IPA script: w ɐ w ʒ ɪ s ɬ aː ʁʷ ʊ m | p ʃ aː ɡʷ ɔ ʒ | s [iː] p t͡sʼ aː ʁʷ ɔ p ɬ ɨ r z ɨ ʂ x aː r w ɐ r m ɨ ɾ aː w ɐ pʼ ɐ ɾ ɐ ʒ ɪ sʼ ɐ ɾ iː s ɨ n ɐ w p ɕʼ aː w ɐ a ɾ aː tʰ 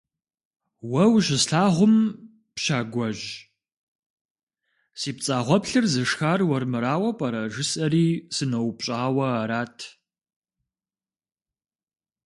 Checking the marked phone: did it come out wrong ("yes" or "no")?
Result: no